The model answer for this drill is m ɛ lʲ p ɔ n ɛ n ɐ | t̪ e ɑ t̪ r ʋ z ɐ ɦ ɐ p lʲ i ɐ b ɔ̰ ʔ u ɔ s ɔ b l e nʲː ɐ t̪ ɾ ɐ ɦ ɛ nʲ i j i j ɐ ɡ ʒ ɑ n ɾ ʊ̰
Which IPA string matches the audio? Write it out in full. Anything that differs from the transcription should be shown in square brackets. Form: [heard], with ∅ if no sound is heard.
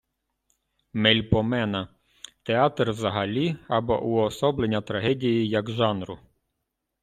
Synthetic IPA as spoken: m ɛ lʲ p ɔ [m] ɛ n ɐ | t̪ e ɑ t̪ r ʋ z ɐ ɦ ɐ [∅] lʲ i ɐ b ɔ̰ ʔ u ɔ s ɔ b l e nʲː ɐ t̪ ɾ ɐ ɦ ɛ [dʲ] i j i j ɐ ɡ ʒ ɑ n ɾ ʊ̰

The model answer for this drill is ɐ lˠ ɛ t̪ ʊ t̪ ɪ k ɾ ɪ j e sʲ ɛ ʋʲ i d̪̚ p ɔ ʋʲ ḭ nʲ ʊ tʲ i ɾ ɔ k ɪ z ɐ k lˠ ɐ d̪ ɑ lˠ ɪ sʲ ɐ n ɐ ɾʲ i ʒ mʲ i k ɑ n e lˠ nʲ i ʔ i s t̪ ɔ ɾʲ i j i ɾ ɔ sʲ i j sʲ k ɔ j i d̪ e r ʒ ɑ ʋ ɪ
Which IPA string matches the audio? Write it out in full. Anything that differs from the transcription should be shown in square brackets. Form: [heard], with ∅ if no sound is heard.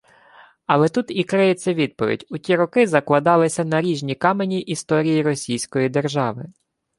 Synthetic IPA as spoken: ɐ lˠ ɛ t̪ [u] t̪ [i] k ɾ ɪ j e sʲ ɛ ʋʲ i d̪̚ p ɔ ʋʲ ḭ [dʲ] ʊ tʲ i ɾ ɔ k ɪ z ɐ k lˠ ɐ d̪ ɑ lˠ ɪ sʲ ɐ n ɐ ɾʲ i ʒ [nʲ] i k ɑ [m] e [∅] nʲ i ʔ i s t̪ ɔ ɾʲ i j i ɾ ɔ sʲ i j sʲ k ɔ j i d̪ e r ʒ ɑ ʋ ɪ

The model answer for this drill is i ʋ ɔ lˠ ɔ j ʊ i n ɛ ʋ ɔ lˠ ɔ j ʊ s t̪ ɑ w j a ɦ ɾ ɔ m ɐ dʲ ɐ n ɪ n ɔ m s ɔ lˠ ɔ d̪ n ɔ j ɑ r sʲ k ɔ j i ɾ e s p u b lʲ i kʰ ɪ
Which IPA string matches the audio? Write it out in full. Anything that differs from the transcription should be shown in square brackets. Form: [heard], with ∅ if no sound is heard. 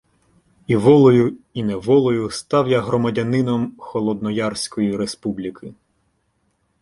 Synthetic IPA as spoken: i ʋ ɔ lˠ ɔ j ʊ i n ɛ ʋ ɔ lˠ ɔ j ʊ s t̪ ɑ w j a ɦ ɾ ɔ m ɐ dʲ ɐ n ɪ n ɔ m [x] ɔ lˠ ɔ d̪ n ɔ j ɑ r sʲ k ɔ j i ɾ e s p u b lʲ i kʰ ɪ

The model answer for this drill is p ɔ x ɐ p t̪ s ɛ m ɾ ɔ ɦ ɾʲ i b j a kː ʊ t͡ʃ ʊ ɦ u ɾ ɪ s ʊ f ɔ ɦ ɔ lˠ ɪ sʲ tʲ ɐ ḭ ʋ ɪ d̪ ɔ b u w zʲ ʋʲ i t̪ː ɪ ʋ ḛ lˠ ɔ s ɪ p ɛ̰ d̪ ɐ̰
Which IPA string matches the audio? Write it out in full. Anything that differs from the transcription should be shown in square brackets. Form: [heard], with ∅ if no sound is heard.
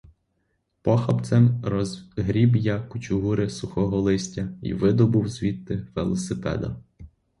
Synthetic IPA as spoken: p ɔ x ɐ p t̪ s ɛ m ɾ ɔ ɦ ɾʲ i b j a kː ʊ t͡ʃ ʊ ɦ u ɾ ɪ s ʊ [x] ɔ ɦ ɔ lˠ ɪ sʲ tʲ ɐ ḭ ʋ ɪ d̪ ɔ b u w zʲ ʋʲ i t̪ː ɪ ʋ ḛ lˠ ɔ s ɪ p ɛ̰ d̪ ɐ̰

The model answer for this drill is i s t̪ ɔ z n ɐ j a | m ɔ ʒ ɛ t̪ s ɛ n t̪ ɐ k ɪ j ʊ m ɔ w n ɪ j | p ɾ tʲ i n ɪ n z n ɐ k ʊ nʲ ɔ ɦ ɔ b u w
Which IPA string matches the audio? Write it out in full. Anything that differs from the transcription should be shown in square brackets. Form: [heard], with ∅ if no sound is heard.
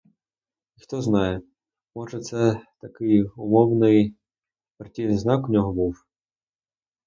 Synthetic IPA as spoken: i [x] t̪ ɔ z n [ɑ] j [ɛ] | m ɔ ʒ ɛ t̪ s ɛ [∅] t̪ ɐ k ɪ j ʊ m ɔ w n ɪ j | p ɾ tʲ i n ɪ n z n [ɑ] k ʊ nʲ ɔ ɦ ɔ b u w

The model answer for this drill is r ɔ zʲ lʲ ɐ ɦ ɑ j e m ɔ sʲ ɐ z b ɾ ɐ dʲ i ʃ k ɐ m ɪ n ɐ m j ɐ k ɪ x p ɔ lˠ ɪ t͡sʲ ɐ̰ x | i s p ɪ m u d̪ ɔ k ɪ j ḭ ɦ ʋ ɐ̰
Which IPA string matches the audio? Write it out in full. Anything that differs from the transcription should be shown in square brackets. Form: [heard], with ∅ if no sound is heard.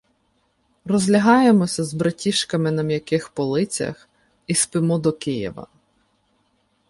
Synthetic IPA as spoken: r ɔ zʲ lʲ ɐ ɦ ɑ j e m ɔ sʲ ɐ z b ɾ ɐ [tʲ] i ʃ k ɐ m ɪ n ɐ m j ɐ k ɪ x p ɔ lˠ ɪ t͡sʲ ɐ̰ x | i s p ɪ m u d̪ ɔ k ɪ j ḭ [∅] ʋ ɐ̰

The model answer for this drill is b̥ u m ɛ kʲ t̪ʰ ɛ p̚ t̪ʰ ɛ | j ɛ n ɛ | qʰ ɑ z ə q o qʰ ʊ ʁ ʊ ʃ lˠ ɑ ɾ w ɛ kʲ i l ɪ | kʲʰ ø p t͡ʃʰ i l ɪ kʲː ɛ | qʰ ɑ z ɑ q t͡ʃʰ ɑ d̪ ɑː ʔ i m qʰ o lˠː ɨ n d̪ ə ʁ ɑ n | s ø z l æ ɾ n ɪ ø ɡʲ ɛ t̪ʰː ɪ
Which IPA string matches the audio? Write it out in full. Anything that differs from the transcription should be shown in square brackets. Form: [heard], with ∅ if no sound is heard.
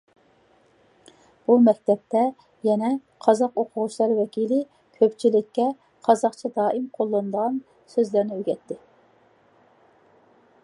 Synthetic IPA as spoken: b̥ u m ɛ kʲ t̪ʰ ɛ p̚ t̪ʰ ɛ | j ɛ n ɛ | qʰ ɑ z [ɑ] q o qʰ ʊ ʁ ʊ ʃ lˠ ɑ ɾ w ɛ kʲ i l ɪ | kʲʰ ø p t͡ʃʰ i l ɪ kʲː ɛ | qʰ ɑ z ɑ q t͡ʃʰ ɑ d̪ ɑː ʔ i m qʰ o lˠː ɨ n d̪ ə ʁ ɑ n | s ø z l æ ɾ n ɪ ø ɡʲ ɛ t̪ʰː ɪ

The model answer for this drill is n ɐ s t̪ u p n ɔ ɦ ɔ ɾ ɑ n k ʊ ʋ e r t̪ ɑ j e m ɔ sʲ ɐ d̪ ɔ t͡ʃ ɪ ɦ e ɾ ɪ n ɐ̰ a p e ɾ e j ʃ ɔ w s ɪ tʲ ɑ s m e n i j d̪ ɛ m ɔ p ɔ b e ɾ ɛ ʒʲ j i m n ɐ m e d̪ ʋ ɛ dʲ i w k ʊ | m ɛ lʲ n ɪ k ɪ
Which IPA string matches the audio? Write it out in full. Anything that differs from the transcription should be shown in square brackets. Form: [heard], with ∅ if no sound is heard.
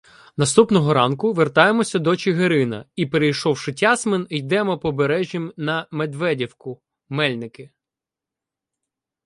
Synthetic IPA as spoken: n ɐ s t̪ u p n ɔ ɦ ɔ ɾ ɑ n k ʊ ʋ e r t̪ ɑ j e m ɔ sʲ ɐ d̪ ɔ t͡ʃ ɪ ɦ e ɾ ɪ n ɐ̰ [i] p e ɾ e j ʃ ɔ w [ʃ] ɪ tʲ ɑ s m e n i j d̪ ɛ m ɔ p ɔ b e ɾ ɛ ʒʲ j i m n ɐ m e d̪ ʋ ɛ dʲ i w k ʊ | m ɛ lʲ n ɪ k ɪ

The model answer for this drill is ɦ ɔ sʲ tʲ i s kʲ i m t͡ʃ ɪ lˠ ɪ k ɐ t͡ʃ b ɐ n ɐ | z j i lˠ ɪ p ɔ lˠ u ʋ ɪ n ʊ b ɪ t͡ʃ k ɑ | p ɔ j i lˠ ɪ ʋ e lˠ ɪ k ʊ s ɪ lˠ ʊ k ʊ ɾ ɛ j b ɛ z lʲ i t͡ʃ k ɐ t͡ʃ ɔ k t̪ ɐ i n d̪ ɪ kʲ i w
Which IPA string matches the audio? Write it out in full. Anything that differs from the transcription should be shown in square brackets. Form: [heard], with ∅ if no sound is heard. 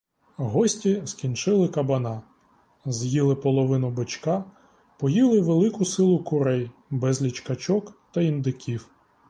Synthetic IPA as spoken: ɦ ɔ sʲ tʲ i s kʲ i [n] t͡ʃ ɪ lˠ ɪ k ɐ [∅] b ɐ n [ɑ] | z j i lˠ ɪ p ɔ lˠ [ɔ] ʋ ɪ n ʊ b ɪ t͡ʃ k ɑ | p ɔ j i lˠ ɪ ʋ e lˠ ɪ k ʊ s ɪ lˠ ʊ k ʊ ɾ ɛ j b ɛ z lʲ i t͡ʃ k ɐ t͡ʃ ɔ k t̪ ɐ i n d̪ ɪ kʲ i w

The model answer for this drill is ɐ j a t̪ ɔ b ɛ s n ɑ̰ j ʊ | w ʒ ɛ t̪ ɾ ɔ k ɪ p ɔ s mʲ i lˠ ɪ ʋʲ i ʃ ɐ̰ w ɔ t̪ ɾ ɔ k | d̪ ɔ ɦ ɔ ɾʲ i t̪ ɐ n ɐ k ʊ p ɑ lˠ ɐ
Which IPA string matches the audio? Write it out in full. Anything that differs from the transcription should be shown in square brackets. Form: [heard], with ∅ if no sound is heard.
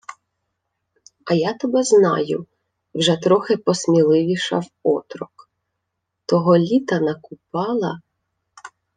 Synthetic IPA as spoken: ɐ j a t̪ ɔ b ɛ [z] n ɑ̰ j ʊ | w ʒ ɛ t̪ ɾ ɔ [x] ɪ p ɔ s mʲ i lˠ ɪ ʋʲ i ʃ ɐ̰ w ɔ t̪ ɾ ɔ k | [t̪] ɔ ɦ ɔ [lʲ] i t̪ ɐ n ɐ k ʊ p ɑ lˠ ɐ

